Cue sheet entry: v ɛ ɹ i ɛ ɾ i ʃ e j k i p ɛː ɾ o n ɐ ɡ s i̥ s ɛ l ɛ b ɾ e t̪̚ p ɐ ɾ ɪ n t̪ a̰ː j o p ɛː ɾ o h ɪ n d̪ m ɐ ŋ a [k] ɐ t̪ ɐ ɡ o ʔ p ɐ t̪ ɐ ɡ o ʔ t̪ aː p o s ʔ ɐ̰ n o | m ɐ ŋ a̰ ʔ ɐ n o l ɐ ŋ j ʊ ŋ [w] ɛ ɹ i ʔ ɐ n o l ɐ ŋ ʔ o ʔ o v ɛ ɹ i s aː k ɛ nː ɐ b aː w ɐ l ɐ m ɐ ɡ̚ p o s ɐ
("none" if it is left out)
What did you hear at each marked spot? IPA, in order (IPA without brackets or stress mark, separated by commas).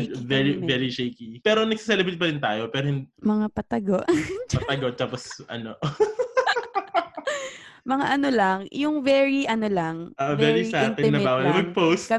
p, v